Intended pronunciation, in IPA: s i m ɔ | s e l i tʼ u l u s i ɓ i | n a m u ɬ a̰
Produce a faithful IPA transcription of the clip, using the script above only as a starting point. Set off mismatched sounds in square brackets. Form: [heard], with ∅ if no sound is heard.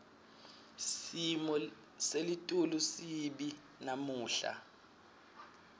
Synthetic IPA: s i m ɔ | s e l i tʼ u l u s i ɓ i | n a m [uː] ɬ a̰